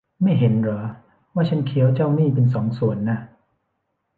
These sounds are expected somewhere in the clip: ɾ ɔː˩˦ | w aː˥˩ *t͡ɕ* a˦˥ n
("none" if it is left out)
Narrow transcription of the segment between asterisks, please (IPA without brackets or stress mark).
t͡ɕʰ